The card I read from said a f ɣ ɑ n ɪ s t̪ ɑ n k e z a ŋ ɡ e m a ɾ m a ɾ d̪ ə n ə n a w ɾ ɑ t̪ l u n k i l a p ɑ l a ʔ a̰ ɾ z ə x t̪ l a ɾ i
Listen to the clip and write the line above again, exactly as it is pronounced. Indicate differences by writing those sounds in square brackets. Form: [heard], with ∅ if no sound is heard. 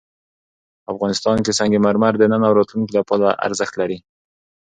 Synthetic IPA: a f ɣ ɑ n ɪ s t̪ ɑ n k e [s] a ŋ ɡ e m a ɾ m a ɾ d̪ ə n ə n a w ɾ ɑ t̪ l u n k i l a p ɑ l a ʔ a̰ ɾ z ə x t̪ l a ɾ i